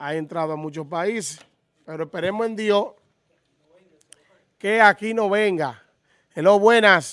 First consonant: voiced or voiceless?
voiced